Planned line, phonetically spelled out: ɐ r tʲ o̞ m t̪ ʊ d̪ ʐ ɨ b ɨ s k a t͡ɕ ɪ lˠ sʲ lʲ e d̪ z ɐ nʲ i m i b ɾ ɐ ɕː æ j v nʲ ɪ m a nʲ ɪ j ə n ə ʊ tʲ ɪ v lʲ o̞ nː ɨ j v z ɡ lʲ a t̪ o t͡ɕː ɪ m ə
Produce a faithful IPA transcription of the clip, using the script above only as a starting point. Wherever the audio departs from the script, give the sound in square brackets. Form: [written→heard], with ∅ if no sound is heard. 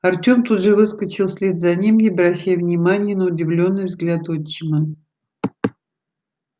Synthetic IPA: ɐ r tʲ o̞ m t̪ [ʊ→u] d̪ ʐ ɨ [b→v] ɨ s k [a→ə] t͡ɕ ɪ lˠ sʲ lʲ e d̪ z ɐ nʲ i m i b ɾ ɐ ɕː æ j v nʲ ɪ m a nʲ ɪ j ə n ə ʊ [tʲ→dʲ] ɪ v lʲ o̞ nː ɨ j v z ɡ lʲ a t̪ o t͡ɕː ɪ m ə